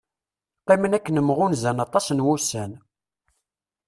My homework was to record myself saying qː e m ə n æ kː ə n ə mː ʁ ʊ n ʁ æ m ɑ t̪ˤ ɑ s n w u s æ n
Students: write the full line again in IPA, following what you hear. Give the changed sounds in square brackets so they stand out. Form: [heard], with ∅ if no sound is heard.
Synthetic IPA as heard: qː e m ə n æ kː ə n ə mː ʁ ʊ n [z] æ [n] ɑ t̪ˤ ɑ s n w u s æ n